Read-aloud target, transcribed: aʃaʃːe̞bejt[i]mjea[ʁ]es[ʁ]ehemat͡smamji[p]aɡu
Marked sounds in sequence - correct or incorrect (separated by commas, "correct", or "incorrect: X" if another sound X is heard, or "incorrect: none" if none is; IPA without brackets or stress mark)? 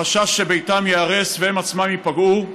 incorrect: a, correct, incorrect: v, correct